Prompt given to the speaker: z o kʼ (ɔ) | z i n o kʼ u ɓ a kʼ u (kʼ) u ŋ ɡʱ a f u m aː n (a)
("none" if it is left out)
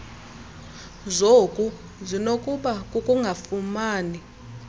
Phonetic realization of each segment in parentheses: u, kʼ, i

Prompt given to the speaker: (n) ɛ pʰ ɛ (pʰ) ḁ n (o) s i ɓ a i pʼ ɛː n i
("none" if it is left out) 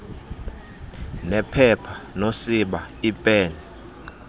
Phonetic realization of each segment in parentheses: n, pʰ, o

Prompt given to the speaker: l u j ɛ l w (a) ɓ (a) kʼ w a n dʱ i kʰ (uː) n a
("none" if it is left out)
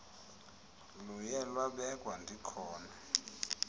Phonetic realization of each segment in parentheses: a, ɛ, ɔː

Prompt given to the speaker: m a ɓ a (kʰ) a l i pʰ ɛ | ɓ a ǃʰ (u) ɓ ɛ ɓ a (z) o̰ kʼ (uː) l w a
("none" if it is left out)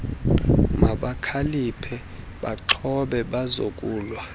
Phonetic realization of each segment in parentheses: kʰ, ɔ, z, uː

